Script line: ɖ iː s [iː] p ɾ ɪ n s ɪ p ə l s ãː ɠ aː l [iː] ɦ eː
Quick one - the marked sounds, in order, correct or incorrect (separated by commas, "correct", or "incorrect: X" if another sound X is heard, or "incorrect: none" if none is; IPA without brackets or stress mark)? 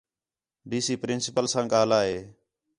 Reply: correct, incorrect: aː